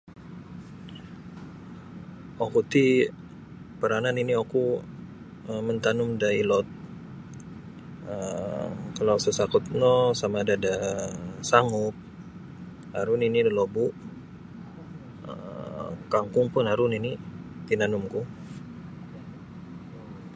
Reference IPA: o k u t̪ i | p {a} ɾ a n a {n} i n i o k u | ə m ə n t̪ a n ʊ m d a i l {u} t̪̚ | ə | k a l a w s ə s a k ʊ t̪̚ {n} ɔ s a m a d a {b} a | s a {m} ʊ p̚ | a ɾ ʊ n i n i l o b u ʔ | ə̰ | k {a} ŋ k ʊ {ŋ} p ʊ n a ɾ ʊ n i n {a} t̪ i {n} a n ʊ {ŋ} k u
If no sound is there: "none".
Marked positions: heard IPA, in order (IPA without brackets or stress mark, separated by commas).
ə, n, ɔ, n, d, ŋ, a, ŋ, i, n, m